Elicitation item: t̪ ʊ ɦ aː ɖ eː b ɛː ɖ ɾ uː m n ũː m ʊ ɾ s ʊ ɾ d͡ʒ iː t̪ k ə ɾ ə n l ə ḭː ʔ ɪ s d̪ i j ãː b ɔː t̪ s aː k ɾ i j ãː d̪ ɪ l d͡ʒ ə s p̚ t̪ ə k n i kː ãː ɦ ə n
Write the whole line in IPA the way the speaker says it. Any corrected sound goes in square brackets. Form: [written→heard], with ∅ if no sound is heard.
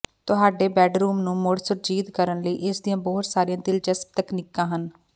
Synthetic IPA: t̪ ʊ ɦ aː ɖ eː b ɛː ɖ ɾ uː m n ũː m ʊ [ɾ→ɽ] s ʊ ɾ d͡ʒ iː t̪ k ə ɾ ə n l ə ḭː ʔ ɪ s d̪ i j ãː b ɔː t̪ s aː [k→∅] ɾ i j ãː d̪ ɪ l d͡ʒ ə s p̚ t̪ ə k n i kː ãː ɦ ə n